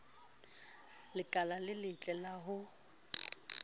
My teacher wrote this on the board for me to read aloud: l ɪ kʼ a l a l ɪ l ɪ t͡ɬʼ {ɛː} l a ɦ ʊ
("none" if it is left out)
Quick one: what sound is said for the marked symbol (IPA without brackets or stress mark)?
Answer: ɛ